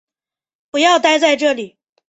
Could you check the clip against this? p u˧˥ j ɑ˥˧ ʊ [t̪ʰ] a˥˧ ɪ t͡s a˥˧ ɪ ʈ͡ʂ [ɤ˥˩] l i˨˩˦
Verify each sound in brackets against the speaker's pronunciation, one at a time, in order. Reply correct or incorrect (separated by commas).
incorrect, correct